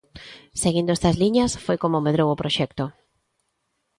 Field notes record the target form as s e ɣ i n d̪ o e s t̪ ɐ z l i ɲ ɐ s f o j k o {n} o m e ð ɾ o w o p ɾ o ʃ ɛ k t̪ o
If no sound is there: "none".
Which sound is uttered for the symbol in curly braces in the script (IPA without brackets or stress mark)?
m